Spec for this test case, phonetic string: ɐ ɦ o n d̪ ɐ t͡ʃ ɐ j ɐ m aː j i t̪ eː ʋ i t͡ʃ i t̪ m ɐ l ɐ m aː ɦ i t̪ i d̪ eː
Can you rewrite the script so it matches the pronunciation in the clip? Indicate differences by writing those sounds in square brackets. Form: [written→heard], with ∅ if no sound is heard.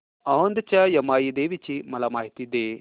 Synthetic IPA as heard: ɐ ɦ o n d̪ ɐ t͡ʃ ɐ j ɐ m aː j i [t̪→d̪] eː ʋ i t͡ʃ i [t̪→∅] m ɐ l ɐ m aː ɦ i t̪ i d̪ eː